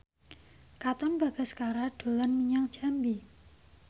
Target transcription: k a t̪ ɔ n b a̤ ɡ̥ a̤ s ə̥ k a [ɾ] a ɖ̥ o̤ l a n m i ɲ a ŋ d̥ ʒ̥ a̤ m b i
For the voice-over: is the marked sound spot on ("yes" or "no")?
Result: yes